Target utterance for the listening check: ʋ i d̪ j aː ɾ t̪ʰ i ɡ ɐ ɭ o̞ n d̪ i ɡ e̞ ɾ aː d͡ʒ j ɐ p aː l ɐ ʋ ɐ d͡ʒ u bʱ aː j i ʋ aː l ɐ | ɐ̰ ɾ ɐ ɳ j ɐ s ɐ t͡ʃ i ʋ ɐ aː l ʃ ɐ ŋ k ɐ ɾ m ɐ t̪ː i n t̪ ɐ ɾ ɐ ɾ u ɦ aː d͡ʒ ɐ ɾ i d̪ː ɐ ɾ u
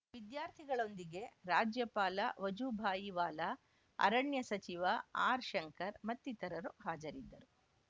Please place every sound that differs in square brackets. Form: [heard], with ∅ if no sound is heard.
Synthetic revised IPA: ʋ i d̪ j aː ɾ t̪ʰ i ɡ ɐ ɭ o̞ n d̪ i ɡ e̞ ɾ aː d͡ʒ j ɐ p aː l ɐ ʋ ɐ d͡ʒ u bʱ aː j i ʋ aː l ɐ | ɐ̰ ɾ ɐ ɳ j ɐ s ɐ t͡ʃ i ʋ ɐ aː [ɾ] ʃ ɐ ŋ k ɐ ɾ m ɐ t̪ː i [∅] t̪ ɐ ɾ ɐ ɾ u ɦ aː d͡ʒ ɐ ɾ i d̪ː ɐ ɾ u